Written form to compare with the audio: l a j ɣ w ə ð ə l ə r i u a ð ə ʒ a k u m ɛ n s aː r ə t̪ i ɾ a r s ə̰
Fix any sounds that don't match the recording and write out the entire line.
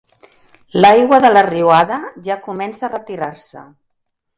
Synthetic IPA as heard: l a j ɣ w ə ð ə l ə r i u a ð ə ʒ a k u m ɛ n s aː r ə t̪ i ɾ a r s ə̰